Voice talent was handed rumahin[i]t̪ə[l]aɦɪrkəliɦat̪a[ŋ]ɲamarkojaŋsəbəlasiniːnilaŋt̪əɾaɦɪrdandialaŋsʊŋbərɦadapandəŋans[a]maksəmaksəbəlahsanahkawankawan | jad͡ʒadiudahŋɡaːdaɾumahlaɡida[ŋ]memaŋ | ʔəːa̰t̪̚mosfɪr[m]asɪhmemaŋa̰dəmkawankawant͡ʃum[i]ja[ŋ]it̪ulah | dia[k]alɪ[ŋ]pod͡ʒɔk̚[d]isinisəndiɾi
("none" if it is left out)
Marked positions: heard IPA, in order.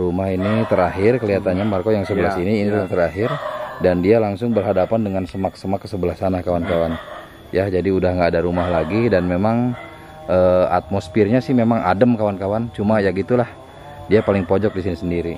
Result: i, ɾ, n, ə, n, ɲ, a, ɡ, p, ŋ, d

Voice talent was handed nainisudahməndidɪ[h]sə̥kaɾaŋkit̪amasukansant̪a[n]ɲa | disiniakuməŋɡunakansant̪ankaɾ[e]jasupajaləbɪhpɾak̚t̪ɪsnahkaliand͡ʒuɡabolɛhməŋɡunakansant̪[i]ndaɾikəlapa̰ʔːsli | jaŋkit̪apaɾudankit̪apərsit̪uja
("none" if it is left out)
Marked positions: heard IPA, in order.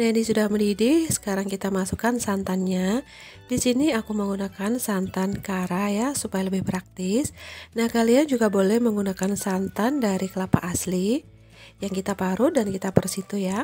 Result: h, n, a, a

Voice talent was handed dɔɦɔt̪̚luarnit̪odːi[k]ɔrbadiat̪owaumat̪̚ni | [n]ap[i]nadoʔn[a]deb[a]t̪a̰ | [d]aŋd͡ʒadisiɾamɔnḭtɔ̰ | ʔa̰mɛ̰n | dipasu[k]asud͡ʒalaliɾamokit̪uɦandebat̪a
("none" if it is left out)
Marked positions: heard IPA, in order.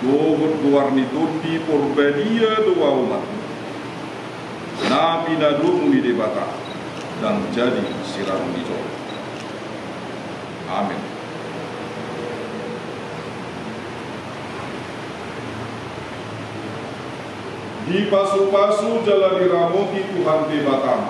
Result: p, n, i, i, a, d, p

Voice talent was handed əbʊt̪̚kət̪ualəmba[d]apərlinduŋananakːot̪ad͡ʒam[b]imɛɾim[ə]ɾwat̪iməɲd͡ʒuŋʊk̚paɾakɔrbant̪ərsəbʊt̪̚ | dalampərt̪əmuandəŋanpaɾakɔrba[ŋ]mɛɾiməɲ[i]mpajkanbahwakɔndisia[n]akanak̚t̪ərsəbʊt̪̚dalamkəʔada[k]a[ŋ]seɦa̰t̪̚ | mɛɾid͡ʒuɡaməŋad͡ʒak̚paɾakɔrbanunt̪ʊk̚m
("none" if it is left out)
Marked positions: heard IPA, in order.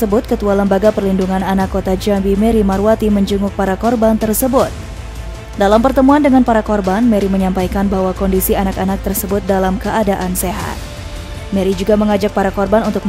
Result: ɡ, b, a, n, a, n, ʔ, n

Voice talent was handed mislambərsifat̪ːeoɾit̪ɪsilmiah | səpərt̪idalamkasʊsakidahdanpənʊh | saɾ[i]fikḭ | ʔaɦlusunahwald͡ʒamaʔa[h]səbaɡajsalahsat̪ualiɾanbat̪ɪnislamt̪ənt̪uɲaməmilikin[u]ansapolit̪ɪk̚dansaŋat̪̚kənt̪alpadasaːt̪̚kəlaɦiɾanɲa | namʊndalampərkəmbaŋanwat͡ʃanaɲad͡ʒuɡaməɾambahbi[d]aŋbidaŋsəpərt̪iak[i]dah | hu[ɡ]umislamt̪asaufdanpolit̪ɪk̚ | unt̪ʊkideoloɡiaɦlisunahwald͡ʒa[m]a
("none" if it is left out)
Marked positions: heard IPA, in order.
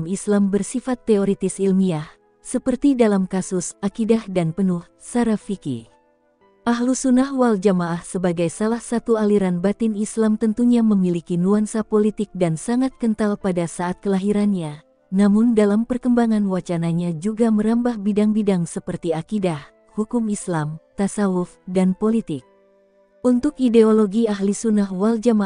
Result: a, h, u, d, i, k, m

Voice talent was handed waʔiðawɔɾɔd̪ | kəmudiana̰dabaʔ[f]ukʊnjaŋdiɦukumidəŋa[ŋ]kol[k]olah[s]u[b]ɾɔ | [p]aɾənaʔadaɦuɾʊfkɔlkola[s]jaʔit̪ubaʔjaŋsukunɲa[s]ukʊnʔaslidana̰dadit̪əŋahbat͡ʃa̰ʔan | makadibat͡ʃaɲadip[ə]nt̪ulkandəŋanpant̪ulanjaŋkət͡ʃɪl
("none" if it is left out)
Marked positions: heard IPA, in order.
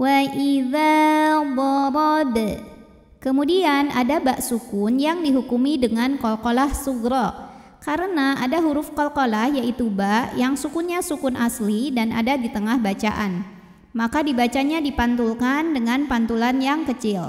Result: s, n, k, s, ɡ, k, h, s, a

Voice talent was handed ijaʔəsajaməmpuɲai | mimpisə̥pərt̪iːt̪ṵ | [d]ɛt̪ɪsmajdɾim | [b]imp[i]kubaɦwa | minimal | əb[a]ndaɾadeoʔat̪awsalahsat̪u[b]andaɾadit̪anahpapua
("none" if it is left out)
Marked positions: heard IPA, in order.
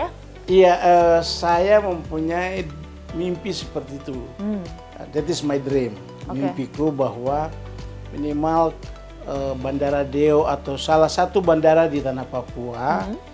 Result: d, m, i, a, b

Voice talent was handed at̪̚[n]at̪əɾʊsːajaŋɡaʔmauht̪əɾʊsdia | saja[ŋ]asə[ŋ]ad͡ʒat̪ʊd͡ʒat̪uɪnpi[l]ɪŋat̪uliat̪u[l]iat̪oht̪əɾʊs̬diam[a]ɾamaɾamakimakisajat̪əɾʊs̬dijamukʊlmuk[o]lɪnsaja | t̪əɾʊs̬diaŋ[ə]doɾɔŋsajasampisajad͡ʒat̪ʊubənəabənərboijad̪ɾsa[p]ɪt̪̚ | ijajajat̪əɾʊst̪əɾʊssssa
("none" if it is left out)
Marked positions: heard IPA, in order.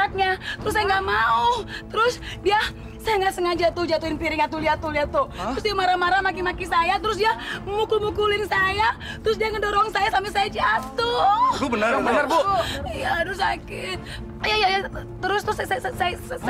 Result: ɲ, ŋ, ŋ, ɾ, l, a, u, ə, k

